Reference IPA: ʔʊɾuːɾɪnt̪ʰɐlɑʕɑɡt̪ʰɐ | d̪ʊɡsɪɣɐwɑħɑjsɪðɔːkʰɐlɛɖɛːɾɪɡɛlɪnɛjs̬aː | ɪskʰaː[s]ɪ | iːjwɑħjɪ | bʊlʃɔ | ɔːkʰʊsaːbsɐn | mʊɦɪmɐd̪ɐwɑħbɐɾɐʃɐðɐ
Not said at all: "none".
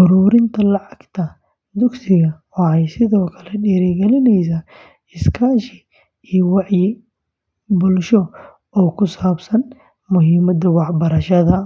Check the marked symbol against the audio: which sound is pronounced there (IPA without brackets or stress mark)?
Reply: ʃ